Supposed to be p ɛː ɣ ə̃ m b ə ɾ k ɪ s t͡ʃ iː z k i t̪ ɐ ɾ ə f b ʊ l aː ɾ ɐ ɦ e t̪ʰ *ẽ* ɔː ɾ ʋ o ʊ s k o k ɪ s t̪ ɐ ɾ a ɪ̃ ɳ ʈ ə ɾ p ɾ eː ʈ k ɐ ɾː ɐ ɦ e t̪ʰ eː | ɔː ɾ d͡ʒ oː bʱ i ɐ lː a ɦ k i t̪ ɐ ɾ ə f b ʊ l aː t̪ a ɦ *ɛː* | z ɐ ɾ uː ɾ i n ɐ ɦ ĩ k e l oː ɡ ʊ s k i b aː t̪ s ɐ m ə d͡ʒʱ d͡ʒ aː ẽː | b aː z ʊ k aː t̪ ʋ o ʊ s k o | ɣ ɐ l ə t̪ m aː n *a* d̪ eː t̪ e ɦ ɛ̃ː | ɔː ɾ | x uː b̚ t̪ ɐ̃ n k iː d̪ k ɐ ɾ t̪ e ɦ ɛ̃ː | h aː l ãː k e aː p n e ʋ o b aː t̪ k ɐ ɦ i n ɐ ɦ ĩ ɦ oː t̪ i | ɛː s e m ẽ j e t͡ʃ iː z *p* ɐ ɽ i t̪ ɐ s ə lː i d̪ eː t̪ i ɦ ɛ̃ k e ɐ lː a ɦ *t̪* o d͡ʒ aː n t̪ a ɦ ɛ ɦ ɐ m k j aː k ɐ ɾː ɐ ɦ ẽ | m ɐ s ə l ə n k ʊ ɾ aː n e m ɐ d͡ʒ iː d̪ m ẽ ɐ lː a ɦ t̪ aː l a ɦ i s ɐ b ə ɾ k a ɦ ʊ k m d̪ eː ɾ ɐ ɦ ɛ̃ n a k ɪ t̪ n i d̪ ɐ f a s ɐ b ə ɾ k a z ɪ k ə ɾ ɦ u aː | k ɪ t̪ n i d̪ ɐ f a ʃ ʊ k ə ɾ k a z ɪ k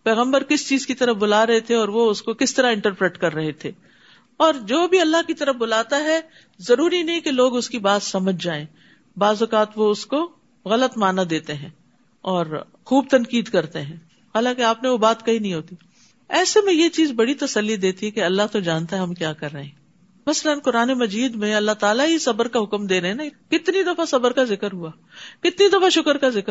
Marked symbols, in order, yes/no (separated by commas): no, no, yes, no, yes